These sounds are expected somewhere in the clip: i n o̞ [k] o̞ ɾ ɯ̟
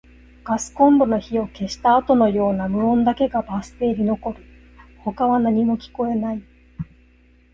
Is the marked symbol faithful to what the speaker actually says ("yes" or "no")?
yes